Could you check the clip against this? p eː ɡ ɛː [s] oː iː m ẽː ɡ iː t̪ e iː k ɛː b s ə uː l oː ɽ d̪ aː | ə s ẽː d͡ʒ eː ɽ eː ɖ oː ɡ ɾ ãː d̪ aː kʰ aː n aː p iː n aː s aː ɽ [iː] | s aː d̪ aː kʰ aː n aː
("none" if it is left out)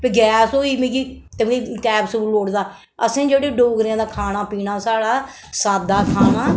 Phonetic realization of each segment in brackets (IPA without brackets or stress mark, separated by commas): s, aː